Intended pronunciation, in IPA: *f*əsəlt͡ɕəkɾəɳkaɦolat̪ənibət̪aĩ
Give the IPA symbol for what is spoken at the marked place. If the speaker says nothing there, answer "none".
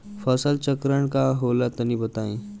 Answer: f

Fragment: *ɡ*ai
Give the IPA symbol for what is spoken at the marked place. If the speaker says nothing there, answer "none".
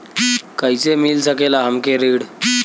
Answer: k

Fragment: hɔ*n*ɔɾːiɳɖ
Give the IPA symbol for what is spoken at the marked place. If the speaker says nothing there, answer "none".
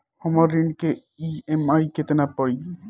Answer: m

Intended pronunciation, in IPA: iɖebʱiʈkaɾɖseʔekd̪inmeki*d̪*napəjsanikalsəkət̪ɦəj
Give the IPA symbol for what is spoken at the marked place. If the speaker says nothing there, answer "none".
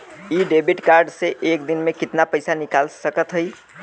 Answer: t̪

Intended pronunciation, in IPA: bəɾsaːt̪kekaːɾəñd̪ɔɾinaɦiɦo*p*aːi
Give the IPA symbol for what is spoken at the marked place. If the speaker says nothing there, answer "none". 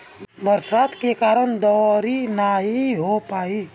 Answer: p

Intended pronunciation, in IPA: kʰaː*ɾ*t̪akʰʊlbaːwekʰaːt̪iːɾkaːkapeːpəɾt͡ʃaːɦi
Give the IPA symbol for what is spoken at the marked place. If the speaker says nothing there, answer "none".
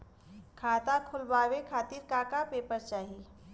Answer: none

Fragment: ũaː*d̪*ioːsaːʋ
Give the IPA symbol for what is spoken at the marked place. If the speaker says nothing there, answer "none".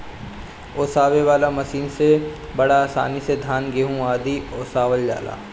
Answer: d̪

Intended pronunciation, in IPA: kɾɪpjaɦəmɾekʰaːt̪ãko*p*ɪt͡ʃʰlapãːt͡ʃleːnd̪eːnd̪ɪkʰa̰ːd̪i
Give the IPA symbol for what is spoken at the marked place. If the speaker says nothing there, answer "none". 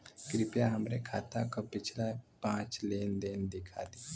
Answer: p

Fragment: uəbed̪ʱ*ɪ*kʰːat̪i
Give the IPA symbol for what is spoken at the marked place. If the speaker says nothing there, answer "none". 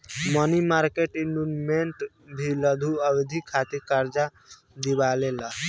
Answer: i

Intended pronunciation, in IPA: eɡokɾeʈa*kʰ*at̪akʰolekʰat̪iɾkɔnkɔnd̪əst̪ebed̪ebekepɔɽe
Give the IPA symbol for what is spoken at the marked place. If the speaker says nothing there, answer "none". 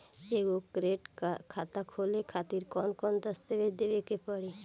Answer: kʰ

